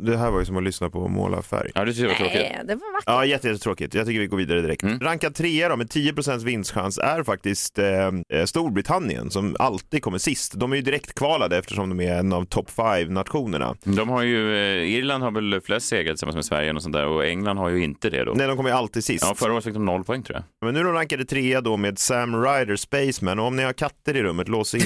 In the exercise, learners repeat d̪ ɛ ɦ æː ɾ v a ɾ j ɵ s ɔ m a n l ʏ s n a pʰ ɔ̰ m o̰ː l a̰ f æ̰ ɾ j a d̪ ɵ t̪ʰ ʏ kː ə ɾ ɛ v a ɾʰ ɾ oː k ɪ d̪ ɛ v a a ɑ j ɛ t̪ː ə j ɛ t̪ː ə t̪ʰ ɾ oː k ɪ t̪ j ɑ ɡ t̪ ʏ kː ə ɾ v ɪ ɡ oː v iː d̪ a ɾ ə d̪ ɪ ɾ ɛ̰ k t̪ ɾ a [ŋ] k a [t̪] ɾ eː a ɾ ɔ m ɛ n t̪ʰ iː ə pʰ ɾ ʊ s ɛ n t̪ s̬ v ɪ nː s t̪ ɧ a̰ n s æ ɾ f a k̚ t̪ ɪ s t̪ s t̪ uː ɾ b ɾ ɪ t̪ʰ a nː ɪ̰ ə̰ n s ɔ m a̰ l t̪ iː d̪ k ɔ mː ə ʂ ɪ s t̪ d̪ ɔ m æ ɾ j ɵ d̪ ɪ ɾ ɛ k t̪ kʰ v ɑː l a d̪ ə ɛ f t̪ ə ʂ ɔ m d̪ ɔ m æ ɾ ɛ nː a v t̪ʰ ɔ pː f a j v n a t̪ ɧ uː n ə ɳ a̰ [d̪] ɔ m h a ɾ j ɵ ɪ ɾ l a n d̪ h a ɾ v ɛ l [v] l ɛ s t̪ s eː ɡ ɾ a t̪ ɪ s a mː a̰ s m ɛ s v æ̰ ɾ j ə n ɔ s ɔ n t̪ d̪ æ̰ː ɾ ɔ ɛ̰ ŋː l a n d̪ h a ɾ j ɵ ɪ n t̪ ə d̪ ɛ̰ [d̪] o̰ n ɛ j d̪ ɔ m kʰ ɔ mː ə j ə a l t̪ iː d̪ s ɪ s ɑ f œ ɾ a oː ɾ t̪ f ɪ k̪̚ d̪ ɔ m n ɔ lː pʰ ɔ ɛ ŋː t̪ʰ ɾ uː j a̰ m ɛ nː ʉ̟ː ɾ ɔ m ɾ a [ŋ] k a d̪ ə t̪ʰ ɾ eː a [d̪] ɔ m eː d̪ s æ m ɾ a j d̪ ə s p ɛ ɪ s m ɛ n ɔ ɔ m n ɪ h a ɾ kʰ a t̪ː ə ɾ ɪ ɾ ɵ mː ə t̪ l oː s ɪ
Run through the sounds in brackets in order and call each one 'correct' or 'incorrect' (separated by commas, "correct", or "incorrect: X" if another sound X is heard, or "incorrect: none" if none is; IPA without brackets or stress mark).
correct, incorrect: t̪ʰ, correct, incorrect: f, correct, correct, correct